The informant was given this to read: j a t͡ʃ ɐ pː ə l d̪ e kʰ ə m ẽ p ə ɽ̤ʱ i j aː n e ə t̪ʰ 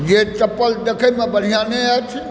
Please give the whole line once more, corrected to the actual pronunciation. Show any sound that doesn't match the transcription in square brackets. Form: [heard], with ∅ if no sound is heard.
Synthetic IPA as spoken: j [e] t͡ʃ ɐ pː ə l d̪ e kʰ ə m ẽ [b] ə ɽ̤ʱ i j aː n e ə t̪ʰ